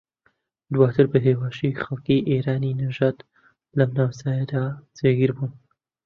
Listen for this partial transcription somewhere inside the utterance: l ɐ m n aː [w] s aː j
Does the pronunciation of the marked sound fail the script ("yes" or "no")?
no